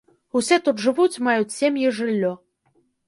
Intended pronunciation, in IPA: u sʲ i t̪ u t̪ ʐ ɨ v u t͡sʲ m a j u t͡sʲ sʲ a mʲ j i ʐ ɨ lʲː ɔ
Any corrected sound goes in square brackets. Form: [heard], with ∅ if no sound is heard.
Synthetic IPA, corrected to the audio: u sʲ [ɛ] t̪ u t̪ ʐ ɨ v u t͡sʲ m a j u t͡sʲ sʲ [e] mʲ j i ʐ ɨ lʲː ɔ